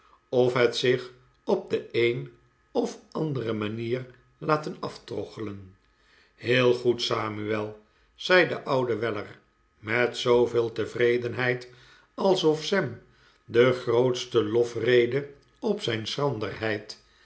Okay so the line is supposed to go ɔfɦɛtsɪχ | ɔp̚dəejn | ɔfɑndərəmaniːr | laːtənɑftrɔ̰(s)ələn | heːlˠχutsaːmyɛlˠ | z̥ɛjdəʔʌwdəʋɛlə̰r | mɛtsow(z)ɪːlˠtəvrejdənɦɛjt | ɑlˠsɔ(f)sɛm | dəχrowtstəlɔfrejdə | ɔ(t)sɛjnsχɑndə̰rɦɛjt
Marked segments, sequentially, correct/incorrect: incorrect, incorrect, correct, incorrect

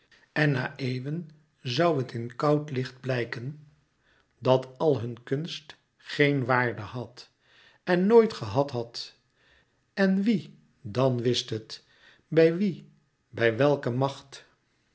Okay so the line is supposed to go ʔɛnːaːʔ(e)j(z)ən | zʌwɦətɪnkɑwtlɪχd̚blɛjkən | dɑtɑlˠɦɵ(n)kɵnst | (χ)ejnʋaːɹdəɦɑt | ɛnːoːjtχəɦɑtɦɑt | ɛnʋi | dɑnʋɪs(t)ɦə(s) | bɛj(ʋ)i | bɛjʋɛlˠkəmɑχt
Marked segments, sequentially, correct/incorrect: correct, incorrect, correct, correct, correct, incorrect, correct

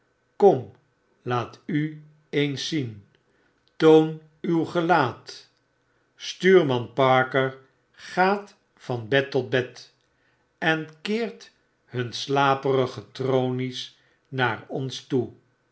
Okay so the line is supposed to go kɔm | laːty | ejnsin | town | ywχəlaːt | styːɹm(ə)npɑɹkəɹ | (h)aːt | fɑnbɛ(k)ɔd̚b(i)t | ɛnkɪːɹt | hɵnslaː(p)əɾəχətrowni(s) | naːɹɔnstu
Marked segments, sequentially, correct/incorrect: incorrect, incorrect, incorrect, incorrect, correct, correct

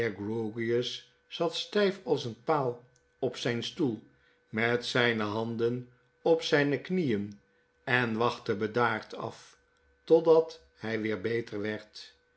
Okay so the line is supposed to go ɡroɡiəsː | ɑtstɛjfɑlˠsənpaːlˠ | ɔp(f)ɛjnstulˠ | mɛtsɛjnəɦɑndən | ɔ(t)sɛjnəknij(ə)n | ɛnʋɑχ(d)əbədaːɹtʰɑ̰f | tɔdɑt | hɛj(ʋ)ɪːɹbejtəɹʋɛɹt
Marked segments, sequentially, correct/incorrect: incorrect, incorrect, correct, incorrect, correct

